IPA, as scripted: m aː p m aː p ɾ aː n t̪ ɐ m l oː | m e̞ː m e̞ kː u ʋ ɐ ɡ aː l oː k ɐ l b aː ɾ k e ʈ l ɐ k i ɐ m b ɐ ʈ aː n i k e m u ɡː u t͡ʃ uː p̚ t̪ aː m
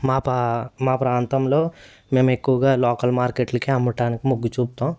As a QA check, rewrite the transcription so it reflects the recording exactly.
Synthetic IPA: m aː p m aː p ɾ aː n t̪ ɐ m l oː | m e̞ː m e̞ kː u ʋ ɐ ɡ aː l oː k ɐ l m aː ɾ k e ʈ l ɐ k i ɐ m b ɐ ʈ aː n i k i m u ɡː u t͡ʃ uː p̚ t̪ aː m